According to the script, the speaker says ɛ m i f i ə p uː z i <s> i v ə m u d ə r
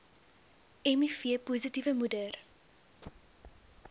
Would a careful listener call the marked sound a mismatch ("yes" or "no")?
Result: yes